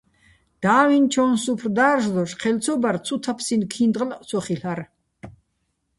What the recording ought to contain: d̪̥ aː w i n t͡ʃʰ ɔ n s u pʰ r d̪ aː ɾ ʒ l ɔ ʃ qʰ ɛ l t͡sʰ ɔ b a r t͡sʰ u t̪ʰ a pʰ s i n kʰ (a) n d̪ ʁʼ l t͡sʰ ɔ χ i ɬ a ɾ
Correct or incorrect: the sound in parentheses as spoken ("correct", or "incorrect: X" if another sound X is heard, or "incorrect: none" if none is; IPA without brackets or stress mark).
incorrect: i